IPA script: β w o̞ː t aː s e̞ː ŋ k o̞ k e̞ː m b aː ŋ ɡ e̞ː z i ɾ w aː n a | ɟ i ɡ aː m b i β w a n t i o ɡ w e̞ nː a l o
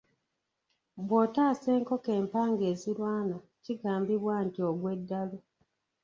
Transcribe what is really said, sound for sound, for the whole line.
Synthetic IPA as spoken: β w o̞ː t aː s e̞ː ŋ k o̞ k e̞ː m p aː ŋ ɡ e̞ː z i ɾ w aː n a | c i ɡ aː m b i β w a n t i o ɡ w e̞ dː a l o